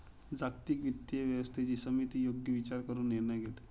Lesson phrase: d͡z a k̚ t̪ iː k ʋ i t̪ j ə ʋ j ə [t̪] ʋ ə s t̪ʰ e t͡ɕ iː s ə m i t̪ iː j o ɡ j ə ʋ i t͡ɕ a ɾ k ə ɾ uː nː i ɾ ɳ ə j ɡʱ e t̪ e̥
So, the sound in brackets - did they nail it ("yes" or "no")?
no